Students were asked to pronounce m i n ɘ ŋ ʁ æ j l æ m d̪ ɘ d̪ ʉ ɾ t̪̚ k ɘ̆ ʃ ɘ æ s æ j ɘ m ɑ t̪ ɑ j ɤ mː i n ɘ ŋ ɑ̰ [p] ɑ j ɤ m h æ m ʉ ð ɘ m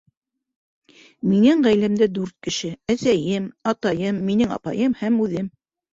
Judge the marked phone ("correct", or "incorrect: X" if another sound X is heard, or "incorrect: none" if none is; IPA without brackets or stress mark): correct